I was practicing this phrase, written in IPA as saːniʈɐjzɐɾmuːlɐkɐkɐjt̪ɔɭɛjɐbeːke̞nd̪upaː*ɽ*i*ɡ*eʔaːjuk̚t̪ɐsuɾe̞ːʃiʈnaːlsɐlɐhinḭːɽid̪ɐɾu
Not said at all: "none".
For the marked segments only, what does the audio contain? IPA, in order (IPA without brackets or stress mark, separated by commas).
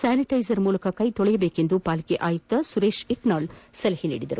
l, k